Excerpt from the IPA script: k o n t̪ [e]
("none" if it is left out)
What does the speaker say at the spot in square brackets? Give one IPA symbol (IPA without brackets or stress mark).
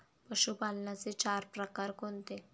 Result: e